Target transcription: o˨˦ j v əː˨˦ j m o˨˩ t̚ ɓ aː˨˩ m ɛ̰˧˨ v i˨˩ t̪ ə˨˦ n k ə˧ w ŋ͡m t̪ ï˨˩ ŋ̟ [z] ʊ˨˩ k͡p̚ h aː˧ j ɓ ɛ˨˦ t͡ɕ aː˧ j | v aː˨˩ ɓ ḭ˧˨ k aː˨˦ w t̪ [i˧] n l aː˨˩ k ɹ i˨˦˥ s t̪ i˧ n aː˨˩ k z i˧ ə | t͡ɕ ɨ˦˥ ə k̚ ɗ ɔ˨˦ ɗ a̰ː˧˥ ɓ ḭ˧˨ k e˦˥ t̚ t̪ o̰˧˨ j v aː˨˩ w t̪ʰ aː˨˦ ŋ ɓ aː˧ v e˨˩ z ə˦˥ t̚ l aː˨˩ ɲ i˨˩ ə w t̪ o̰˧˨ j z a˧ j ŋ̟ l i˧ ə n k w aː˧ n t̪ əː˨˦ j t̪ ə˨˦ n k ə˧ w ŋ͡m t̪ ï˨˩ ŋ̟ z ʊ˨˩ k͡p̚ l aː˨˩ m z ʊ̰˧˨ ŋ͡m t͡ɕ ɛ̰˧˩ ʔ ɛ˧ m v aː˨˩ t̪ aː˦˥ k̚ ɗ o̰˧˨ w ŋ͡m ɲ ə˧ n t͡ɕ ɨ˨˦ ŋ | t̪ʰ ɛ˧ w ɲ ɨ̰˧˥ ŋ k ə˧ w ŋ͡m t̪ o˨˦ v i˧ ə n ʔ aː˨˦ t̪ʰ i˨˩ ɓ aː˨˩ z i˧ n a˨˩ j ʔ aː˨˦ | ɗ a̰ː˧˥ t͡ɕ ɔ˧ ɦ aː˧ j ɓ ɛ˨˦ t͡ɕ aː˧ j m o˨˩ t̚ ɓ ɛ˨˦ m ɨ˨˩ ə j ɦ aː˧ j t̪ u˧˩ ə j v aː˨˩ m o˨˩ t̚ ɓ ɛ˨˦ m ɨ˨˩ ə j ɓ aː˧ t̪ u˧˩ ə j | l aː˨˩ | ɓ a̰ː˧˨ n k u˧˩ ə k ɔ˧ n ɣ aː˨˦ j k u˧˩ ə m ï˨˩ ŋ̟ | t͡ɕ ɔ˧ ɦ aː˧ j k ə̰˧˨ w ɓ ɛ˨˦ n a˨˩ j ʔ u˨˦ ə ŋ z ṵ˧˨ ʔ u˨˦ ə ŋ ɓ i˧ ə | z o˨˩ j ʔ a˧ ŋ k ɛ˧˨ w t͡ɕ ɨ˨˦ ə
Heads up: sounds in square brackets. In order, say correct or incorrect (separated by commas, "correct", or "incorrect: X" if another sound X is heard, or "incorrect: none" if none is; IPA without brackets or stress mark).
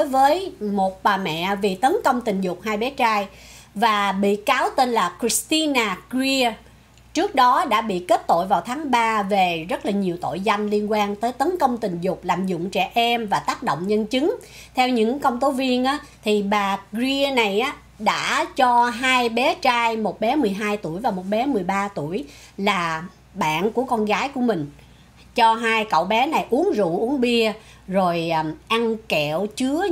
correct, incorrect: e˧